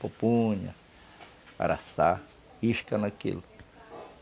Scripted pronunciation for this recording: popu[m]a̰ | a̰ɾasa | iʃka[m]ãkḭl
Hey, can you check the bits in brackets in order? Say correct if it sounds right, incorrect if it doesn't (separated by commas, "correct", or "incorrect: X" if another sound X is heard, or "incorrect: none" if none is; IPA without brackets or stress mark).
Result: incorrect: ɲ, incorrect: n